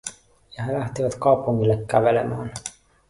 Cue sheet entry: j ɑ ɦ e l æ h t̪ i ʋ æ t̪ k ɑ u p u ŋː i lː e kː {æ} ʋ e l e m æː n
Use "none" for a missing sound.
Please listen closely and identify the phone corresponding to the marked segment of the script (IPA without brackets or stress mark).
æ